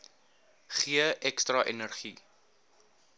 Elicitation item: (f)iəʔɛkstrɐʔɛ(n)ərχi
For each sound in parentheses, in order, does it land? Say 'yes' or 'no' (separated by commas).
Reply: no, yes